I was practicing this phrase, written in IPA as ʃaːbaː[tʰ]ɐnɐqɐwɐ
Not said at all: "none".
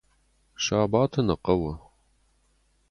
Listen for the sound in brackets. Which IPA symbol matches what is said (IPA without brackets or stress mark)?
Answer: tʰ